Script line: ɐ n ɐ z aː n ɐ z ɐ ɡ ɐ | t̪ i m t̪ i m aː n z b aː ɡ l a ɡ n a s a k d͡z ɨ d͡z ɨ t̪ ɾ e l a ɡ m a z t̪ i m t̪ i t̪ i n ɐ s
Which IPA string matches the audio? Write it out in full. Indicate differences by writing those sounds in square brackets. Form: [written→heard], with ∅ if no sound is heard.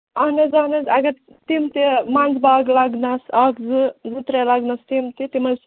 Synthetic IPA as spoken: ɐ n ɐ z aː n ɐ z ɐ ɡ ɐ | t̪ i m t̪ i m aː n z b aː ɡ l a ɡ n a s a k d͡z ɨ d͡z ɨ t̪ ɾ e l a ɡ [m→n] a [z→s] t̪ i m t̪ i t̪ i [n→m] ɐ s